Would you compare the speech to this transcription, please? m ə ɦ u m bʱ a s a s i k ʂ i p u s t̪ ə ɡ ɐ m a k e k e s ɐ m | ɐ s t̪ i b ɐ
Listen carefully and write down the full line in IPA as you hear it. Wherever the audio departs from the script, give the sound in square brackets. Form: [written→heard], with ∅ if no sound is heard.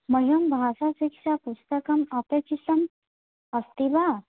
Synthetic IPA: m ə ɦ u m bʱ a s a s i k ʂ [i→a] p u s t̪ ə [ɡ→k] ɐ m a [k→p] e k [e→i] s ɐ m | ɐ s t̪ i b [ɐ→a]